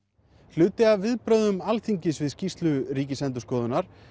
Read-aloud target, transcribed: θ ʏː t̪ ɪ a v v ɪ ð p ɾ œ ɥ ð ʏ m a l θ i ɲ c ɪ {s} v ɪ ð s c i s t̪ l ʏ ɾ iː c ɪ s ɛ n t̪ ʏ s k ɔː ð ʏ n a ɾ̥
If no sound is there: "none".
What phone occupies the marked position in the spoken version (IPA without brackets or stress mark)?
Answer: s